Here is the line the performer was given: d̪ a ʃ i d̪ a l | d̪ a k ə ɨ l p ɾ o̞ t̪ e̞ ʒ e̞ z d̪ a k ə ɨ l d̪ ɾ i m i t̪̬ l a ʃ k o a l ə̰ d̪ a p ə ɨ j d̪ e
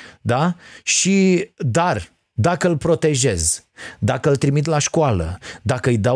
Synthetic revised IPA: d̪ a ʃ i d̪ a r | d̪ a k ə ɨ l p ɾ o̞ t̪ e̞ ʒ e̞ z d̪ a k ə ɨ l t̪ ɾ i m i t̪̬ l a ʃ k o a l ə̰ d̪ a k ə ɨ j d̪ a